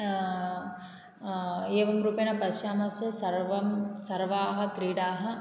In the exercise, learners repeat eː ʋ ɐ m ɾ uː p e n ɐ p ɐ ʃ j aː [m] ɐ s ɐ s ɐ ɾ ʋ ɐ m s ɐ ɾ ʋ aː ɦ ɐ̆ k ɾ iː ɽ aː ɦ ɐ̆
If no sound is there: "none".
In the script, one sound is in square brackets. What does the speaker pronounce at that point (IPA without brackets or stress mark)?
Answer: m